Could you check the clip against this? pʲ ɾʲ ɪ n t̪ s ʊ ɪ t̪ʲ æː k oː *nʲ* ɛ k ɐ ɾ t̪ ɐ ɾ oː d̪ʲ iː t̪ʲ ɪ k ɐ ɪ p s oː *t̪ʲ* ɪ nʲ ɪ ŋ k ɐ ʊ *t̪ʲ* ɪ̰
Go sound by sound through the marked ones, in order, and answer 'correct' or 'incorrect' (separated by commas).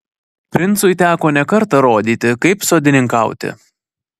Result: correct, incorrect, correct